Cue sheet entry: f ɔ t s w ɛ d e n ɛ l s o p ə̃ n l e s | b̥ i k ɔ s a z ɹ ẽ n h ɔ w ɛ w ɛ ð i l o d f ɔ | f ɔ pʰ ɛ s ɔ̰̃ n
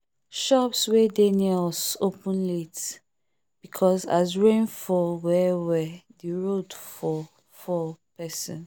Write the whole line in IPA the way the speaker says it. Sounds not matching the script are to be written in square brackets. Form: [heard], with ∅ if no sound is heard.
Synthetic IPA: [ʃ] ɔ [p] s w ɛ d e n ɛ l s o p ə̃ n l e [t] | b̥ i [kʰ] ɔ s a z ɹ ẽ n [f] ɔ w ɛ w ɛ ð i [ɹ] o d f ɔ | f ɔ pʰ ɛ s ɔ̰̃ n